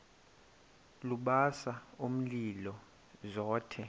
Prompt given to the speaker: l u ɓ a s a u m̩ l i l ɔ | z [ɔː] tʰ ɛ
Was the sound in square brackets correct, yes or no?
yes